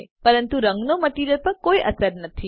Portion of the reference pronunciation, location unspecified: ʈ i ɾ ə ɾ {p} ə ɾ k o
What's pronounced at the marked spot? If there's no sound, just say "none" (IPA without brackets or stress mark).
p